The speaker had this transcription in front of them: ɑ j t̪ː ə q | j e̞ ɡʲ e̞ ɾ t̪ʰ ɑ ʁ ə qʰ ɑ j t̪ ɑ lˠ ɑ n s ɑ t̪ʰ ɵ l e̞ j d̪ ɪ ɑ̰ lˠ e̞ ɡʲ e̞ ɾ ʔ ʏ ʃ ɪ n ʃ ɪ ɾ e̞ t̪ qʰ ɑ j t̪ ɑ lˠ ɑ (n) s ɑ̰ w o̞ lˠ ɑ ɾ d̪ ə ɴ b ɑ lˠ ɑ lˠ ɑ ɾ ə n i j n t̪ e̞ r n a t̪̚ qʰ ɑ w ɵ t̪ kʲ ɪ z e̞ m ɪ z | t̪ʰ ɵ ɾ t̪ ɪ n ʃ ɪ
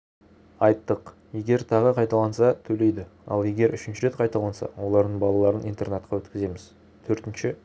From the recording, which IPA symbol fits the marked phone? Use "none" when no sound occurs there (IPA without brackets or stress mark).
n